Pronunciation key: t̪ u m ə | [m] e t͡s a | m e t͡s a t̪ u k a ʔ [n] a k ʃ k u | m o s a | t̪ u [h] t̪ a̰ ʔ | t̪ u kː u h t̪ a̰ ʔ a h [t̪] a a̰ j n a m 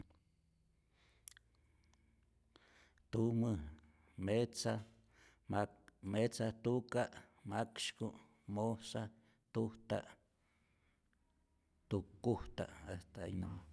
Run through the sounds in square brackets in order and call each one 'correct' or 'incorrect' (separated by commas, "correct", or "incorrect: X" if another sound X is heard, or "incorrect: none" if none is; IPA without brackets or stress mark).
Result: correct, incorrect: m, correct, correct